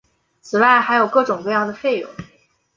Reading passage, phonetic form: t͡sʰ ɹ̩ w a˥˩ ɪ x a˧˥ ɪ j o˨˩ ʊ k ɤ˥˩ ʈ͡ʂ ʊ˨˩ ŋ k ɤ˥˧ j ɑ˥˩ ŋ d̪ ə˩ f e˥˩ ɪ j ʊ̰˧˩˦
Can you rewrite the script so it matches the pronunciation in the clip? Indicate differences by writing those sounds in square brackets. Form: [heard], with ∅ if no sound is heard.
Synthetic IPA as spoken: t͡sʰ ɹ̩ w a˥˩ ɪ x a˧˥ ɪ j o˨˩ ʊ k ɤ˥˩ ʈ͡ʂ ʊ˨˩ ŋ k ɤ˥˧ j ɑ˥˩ ŋ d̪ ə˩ f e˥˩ ɪ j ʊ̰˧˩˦